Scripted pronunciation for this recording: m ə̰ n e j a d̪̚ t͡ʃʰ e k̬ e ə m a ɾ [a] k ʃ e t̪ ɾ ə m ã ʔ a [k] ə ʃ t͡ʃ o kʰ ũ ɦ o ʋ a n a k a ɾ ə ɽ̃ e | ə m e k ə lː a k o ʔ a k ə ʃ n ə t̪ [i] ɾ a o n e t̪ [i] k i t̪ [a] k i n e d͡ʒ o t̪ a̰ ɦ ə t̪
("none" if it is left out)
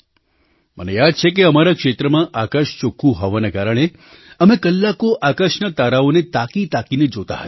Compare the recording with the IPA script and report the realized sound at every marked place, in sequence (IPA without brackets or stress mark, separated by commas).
a, k, a, a, a